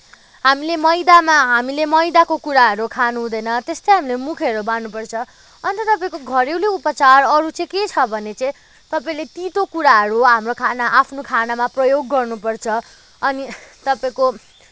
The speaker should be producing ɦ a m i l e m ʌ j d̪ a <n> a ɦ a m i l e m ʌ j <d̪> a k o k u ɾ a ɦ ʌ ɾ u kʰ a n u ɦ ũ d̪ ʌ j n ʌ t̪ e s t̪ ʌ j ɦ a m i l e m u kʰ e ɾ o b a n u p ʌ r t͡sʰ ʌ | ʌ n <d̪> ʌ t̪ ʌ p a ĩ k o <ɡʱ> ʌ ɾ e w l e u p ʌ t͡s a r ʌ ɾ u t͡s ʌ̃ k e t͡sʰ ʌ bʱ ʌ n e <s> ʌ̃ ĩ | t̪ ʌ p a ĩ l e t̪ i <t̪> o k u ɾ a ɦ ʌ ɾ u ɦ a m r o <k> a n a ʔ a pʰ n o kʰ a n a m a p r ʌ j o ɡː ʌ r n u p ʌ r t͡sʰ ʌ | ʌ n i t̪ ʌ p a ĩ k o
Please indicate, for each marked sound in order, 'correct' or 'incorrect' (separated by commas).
incorrect, correct, incorrect, correct, incorrect, correct, incorrect